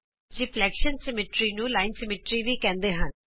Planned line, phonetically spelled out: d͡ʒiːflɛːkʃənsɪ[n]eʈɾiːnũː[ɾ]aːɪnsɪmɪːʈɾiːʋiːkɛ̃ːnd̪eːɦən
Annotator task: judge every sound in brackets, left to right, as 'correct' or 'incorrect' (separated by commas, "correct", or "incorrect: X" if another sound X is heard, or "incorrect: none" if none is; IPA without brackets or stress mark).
incorrect: m, incorrect: l